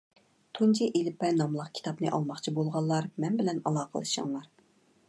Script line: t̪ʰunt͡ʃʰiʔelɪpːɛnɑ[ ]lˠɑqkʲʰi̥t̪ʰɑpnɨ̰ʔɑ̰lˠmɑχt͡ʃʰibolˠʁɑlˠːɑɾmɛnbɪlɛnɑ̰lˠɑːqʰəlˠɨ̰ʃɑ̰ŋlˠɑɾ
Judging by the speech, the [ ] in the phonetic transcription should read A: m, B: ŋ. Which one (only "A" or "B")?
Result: A